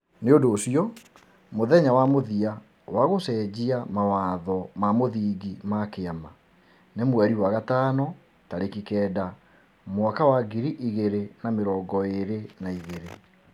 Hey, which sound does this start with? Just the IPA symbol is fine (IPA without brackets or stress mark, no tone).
n